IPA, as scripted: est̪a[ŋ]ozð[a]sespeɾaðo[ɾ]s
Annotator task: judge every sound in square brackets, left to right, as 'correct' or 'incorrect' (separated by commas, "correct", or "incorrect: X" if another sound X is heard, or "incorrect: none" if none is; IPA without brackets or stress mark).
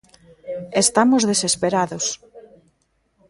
incorrect: m, incorrect: e, incorrect: none